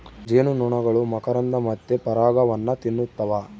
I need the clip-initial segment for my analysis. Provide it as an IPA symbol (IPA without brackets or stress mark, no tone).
d͡ʒ